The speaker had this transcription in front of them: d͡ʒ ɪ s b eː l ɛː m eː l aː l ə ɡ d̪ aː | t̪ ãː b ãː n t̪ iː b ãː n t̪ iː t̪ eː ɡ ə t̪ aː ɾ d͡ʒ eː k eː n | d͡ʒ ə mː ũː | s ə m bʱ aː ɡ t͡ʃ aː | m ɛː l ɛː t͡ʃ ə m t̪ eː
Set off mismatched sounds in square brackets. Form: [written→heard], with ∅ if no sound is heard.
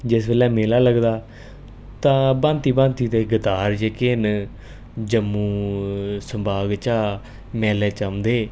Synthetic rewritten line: d͡ʒ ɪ s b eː l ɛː m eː l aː l ə ɡ d̪ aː | t̪ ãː b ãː n t̪ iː b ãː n t̪ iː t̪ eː ɡ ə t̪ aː ɾ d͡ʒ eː k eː n | d͡ʒ ə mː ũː | s ə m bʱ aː ɡ t͡ʃ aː | m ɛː l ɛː t͡ʃ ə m [t̪→d̪] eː